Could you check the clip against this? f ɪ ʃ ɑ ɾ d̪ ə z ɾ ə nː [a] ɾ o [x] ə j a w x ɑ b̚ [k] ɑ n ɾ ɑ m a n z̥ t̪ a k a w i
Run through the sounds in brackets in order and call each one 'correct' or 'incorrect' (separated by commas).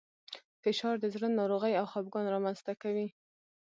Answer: incorrect, incorrect, incorrect